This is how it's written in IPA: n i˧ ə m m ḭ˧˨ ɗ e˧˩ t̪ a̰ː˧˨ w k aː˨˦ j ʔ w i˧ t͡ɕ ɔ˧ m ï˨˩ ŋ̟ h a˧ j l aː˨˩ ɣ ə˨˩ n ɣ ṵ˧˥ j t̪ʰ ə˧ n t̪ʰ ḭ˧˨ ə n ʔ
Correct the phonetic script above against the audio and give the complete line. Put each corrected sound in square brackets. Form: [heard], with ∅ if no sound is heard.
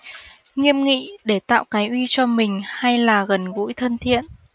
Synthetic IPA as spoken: [ŋ] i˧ ə m [ŋ] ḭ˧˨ ɗ e˧˩ t̪ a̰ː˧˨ w k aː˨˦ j ʔ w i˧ t͡ɕ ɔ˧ m ï˨˩ ŋ̟ h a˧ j l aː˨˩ ɣ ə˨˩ n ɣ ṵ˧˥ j t̪ʰ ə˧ n t̪ʰ ḭ˧˨ ə n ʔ